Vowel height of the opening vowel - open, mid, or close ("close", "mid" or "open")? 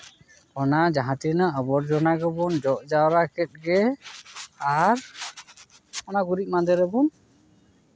mid